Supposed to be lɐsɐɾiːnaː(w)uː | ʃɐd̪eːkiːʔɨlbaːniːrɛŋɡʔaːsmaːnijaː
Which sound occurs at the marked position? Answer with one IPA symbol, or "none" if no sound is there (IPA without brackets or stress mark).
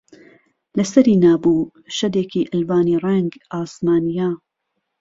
b